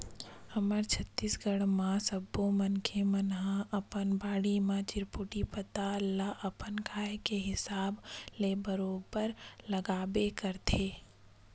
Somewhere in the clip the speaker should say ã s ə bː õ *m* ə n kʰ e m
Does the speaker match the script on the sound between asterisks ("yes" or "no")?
yes